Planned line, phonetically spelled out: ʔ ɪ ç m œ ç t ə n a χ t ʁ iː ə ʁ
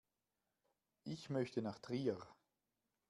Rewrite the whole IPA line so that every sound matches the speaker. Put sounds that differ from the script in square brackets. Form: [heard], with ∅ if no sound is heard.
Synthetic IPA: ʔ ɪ ç m œ ç t ə n a χ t ʁ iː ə ʁ